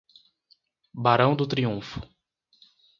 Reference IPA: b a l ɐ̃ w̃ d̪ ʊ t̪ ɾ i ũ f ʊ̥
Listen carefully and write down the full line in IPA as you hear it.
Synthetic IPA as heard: b a ɾ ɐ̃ w̃ d̪ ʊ t̪ ɾ i ũ f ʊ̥